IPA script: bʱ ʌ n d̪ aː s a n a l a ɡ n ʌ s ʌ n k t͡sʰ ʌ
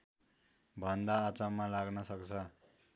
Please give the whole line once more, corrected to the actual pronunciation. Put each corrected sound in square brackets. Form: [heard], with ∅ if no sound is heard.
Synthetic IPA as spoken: bʱ ʌ n d̪ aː [t͡s] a [m] a l a ɡ n ʌ s ʌ [∅] k t͡sʰ ʌ